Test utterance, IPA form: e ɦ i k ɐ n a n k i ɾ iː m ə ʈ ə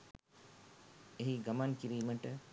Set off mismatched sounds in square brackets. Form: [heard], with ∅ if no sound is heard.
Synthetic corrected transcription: e ɦ i [ɡ] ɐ [m] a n k i ɾ iː m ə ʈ ə